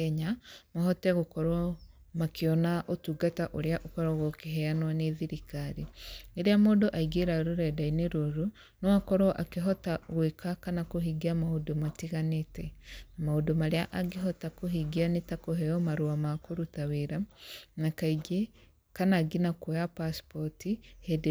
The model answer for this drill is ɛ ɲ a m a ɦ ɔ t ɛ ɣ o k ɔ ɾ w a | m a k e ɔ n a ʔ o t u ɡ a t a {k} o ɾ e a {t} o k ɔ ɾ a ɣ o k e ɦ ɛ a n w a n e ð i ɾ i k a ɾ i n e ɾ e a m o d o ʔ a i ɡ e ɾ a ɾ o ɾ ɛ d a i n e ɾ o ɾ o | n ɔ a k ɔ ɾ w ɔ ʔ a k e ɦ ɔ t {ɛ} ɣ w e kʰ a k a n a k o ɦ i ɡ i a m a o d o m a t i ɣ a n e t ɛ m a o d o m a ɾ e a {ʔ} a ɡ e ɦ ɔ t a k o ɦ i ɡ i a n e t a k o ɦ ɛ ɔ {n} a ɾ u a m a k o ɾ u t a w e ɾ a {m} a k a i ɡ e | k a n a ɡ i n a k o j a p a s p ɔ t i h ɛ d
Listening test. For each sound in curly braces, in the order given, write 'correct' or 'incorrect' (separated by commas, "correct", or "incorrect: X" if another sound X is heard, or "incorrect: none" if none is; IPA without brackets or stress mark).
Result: incorrect: ʔ, incorrect: ʔ, incorrect: a, correct, incorrect: m, incorrect: n